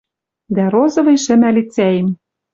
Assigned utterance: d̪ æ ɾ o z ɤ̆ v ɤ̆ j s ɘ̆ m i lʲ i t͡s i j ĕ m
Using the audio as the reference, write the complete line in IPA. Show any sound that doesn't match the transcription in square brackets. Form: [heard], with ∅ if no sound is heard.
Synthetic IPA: d̪ æ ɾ o z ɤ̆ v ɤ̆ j [ʃ] ɘ̆ m [æ] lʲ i t͡s [æ] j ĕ m